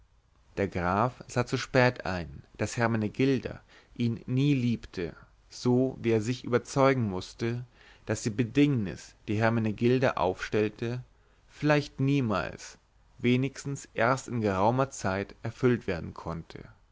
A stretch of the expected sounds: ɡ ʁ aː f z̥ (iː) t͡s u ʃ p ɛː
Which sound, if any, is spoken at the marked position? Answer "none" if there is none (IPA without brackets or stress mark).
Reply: aː